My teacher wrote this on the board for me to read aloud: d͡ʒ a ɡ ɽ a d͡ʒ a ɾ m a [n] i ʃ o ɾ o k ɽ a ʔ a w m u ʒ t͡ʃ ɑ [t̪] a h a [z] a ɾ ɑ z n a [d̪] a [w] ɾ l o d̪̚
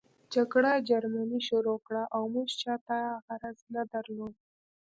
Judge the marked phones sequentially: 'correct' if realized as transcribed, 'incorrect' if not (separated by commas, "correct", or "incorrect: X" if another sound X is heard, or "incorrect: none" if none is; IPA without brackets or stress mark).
correct, correct, incorrect: ɣ, correct, incorrect: none